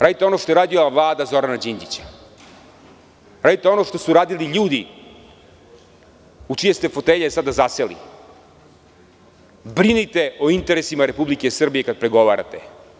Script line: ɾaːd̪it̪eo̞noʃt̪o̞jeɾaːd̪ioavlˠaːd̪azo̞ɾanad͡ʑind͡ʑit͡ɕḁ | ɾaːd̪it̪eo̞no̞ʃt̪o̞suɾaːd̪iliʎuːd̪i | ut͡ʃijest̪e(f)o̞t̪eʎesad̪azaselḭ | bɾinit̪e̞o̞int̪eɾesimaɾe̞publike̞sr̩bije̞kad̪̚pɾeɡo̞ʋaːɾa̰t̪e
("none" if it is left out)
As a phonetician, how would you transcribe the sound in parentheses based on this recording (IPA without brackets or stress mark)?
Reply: f